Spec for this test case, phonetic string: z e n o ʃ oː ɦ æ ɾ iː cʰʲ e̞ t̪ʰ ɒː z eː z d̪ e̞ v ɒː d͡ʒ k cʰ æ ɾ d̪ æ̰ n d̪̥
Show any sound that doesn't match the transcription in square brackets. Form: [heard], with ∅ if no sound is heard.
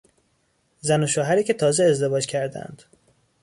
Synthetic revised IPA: z [æ] n o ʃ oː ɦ æ ɾ iː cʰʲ e̞ t̪ʰ ɒː z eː z d̪ e̞ v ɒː d͡ʒ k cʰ æ ɾ d̪ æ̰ n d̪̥